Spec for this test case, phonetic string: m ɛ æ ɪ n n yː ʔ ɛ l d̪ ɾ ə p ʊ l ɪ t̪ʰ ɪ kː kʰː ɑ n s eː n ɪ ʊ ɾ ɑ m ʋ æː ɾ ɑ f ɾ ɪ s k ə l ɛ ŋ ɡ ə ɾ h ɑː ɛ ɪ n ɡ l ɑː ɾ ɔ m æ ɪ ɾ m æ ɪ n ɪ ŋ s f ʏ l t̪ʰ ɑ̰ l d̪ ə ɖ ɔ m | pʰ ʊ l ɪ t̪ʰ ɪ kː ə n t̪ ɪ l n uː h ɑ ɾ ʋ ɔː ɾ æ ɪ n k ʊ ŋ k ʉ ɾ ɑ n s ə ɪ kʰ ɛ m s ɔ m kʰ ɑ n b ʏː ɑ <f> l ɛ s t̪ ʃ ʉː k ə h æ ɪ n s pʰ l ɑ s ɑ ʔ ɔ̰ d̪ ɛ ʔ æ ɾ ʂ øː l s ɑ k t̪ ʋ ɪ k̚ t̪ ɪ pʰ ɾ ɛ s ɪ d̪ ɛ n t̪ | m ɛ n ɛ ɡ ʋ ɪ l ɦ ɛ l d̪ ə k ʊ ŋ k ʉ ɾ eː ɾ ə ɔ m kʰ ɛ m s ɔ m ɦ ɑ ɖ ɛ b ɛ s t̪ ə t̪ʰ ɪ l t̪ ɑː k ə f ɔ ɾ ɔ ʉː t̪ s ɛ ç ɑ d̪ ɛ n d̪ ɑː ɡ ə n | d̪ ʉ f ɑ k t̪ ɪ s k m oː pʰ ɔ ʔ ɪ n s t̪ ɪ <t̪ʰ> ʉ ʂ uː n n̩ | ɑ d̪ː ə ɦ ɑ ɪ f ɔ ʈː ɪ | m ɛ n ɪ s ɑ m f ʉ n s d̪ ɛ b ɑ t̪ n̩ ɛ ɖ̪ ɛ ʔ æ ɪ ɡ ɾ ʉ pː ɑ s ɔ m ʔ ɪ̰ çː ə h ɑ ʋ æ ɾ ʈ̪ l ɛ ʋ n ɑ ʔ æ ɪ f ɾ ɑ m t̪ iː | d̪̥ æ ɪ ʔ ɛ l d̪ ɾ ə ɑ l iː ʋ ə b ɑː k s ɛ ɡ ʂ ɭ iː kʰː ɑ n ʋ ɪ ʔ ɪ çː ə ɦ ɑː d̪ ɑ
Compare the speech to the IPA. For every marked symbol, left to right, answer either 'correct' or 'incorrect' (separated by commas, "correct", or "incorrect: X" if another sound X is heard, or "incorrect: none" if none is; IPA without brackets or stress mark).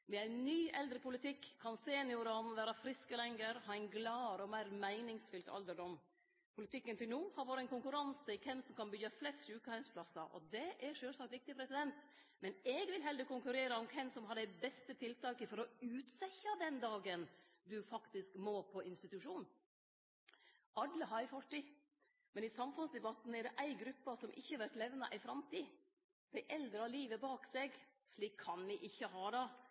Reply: correct, incorrect: t̪